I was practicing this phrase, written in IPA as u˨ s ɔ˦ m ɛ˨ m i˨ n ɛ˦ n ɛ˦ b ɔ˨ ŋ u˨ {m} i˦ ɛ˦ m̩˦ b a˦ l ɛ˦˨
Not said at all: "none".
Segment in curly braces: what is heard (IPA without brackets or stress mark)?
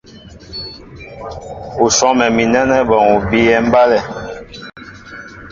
b